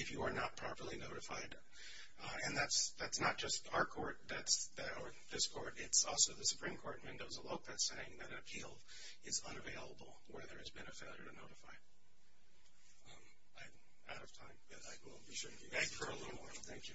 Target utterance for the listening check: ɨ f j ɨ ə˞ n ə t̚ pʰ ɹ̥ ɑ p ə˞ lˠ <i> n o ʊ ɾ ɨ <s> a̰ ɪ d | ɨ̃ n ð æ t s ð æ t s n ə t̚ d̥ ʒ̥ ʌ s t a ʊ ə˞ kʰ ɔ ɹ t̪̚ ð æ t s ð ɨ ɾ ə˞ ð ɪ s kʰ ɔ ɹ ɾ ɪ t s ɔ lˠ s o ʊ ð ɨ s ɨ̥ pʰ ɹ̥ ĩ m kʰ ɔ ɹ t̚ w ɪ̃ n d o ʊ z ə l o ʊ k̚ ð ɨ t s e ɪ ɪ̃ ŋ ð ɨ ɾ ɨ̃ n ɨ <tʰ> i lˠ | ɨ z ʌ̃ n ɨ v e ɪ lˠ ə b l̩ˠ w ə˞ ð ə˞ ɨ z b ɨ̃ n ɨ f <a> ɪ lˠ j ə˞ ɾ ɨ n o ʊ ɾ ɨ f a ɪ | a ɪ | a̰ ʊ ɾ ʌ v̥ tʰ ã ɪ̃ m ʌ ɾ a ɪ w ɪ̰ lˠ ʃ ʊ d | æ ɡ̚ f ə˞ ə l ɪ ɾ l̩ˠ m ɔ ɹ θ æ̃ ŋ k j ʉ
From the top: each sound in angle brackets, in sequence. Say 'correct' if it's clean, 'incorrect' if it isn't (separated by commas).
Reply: correct, incorrect, incorrect, incorrect